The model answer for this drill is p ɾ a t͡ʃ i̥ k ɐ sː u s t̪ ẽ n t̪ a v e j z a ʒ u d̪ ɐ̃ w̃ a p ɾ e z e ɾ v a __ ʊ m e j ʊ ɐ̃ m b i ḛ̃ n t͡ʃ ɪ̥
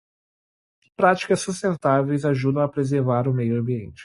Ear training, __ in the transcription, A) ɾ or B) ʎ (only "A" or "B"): A